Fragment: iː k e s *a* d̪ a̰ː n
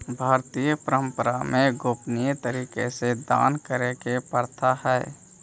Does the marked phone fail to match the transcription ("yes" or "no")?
yes